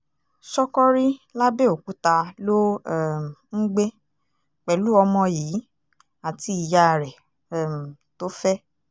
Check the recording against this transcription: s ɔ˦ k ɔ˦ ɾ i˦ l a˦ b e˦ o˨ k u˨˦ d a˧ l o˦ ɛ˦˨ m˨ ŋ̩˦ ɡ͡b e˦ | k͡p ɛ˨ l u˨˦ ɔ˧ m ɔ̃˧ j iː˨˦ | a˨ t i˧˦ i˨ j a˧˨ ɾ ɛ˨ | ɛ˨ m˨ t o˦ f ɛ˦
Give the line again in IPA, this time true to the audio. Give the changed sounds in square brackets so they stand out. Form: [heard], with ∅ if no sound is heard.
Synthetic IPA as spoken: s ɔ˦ k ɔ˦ ɾ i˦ l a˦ b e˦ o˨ k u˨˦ [t] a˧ l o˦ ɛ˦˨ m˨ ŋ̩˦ ɡ͡b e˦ | k͡p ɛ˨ l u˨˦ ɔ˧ m ɔ̃˧ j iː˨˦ | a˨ t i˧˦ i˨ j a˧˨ ɾ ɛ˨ | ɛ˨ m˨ t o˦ f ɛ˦